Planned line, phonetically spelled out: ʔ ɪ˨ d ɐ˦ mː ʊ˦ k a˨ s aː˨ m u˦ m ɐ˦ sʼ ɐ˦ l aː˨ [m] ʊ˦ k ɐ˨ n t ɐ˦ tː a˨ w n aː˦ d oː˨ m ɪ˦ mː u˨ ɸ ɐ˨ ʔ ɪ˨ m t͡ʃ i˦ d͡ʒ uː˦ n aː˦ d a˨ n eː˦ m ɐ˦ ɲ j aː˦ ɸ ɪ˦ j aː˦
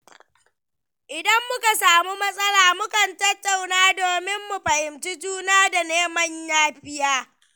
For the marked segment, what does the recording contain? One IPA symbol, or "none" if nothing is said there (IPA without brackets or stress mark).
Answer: m